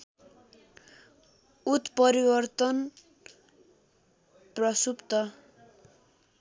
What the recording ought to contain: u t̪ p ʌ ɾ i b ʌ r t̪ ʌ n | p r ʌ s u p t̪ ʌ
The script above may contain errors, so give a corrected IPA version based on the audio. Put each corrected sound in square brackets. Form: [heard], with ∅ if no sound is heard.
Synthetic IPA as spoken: u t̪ p ʌ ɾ i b ʌ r t̪ ʌ n | p r ʌ s u p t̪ ʌ